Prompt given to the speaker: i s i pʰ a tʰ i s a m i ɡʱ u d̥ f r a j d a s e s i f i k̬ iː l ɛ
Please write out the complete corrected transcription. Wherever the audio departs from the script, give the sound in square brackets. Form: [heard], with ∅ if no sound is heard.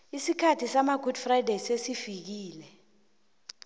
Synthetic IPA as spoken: i s i [kʰ] a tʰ i s a m [a] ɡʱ u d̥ f r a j d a s e s i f i k̬ iː l ɛ